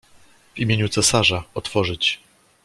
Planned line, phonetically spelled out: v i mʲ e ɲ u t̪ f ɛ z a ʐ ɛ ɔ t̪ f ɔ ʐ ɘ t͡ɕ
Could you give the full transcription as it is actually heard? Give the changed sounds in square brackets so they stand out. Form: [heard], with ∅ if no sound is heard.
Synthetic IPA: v i mʲ e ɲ u t̪ [s] ɛ [s] a ʐ [a] ɔ t̪ f ɔ ʐ ɘ t͡ɕ